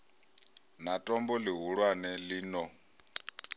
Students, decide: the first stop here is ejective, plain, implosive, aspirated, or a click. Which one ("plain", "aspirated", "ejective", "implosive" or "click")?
ejective